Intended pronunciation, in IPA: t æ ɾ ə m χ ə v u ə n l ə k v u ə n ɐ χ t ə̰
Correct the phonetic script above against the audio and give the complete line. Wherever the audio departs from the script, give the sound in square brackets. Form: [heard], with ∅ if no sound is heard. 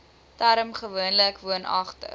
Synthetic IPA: t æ ɾ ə m χ ə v u ə n l ə k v u ə n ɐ χ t ə̰

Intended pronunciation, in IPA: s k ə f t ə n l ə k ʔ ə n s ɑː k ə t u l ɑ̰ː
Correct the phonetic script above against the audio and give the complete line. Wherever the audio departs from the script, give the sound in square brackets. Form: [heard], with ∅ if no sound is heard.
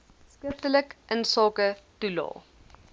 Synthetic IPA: s k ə f t ə [∅] l ə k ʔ ə n s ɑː k ə t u l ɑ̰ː

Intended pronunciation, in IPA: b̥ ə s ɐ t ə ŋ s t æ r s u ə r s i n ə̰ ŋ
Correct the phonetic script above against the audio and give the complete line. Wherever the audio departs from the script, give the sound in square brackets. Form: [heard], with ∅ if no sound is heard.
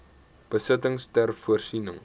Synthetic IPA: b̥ ə s [ə] t ə ŋ s t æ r [f] u ə r s i n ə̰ ŋ

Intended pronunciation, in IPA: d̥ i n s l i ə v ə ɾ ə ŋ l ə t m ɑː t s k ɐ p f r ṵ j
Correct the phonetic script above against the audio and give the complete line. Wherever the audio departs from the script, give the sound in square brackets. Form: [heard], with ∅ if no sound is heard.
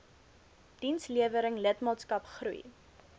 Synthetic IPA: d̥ i n s l i ə v ə ɾ ə ŋ l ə t m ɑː t s k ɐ p [χ] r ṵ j

